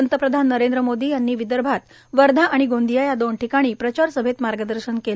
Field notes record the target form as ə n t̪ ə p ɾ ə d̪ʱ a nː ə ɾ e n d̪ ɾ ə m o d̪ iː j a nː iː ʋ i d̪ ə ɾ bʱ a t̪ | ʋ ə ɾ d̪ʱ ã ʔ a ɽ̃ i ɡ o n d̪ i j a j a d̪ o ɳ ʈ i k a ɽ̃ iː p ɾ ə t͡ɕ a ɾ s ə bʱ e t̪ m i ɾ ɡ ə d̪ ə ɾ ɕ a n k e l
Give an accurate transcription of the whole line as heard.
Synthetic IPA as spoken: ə n t̪ ə p ɾ ə d̪ʱ a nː ə ɾ e n d̪ ɾ ə m o d̪ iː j a nː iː ʋ i d̪ ə ɾ bʱ a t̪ | ʋ ə ɾ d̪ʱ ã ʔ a ɽ̃ i ɡ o n d̪ i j a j a d̪ o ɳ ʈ i k a ɽ̃ iː p ɾ ə t͡ɕ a ɾ s ə bʱ e t̪ m a ɾ ɡ ə d̪ ə ɾ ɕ ə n k e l